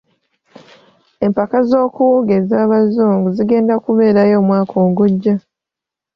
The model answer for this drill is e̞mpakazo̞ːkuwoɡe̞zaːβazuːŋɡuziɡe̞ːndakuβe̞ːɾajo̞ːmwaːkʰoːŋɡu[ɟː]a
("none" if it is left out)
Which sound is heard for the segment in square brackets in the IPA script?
ɟː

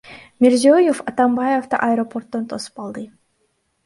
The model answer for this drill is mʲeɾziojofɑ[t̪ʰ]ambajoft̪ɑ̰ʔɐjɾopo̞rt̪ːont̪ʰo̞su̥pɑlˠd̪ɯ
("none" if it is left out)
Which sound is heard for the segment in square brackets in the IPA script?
t̪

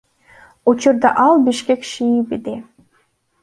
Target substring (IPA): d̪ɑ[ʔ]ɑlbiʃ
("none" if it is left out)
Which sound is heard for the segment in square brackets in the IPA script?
ʔ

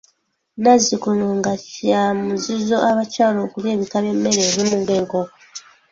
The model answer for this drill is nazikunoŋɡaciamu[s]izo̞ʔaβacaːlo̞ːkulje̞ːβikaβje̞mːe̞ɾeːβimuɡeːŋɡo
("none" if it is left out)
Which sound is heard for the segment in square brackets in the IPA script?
z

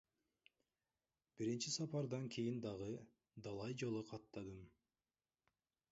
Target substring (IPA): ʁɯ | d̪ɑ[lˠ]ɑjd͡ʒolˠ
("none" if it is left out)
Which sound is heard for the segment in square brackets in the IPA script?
lˠ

